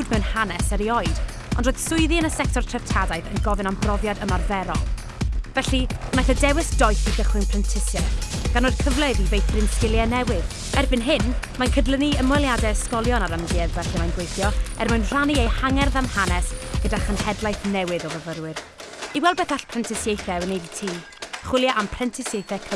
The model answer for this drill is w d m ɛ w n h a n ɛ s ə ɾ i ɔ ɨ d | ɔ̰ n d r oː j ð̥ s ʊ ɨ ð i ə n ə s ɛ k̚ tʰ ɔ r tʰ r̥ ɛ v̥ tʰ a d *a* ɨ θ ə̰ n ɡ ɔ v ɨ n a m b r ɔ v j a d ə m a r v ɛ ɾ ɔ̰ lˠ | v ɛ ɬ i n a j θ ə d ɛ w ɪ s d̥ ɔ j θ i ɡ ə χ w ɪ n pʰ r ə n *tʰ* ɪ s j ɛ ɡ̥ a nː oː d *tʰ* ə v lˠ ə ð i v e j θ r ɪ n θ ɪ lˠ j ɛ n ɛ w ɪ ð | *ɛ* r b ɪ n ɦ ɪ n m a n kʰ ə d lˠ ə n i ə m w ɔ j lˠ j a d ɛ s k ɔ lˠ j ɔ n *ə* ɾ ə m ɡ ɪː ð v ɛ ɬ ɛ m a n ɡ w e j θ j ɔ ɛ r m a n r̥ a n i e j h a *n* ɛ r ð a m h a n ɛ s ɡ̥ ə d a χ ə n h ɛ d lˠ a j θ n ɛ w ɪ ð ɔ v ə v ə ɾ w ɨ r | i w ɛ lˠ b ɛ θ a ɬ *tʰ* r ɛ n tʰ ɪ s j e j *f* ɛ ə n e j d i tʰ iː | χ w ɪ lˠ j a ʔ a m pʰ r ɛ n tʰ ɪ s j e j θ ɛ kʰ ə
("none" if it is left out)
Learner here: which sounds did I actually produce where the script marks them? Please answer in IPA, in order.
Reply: a, tʰ, kʰ, ɛ, a, ŋ, pʰ, θ

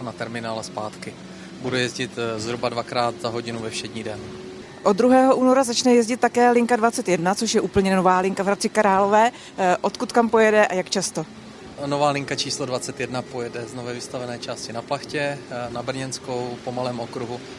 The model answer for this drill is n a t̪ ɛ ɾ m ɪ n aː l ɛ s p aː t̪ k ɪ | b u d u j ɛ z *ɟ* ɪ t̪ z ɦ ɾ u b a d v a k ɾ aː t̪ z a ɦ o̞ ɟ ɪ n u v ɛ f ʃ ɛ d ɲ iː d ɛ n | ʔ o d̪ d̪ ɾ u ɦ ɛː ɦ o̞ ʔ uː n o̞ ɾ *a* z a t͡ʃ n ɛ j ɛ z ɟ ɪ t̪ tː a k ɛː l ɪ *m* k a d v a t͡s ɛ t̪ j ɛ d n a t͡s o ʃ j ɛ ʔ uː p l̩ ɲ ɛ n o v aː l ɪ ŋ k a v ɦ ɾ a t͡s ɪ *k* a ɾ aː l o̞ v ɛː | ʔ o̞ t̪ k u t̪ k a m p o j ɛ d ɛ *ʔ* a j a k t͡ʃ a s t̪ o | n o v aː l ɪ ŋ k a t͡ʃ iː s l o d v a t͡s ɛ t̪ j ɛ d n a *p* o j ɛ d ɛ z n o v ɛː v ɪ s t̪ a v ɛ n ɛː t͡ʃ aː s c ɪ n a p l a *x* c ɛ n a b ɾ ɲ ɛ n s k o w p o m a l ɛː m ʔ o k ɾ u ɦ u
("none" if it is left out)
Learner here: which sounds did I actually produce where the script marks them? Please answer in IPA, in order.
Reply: ɟ, a, ŋ, k, ʔ, p, x

